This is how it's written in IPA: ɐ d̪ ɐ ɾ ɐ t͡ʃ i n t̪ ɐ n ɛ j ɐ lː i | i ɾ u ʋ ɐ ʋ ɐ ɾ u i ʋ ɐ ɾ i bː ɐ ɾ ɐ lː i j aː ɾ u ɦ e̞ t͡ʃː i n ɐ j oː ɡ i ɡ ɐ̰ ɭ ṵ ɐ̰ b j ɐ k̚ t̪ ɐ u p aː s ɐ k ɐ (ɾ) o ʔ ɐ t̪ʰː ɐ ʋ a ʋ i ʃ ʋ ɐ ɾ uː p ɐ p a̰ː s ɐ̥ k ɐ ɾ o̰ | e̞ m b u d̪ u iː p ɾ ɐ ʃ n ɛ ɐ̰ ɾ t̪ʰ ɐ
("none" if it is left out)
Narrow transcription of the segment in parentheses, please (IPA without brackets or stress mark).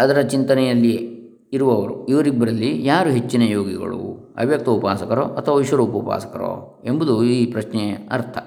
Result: ɾ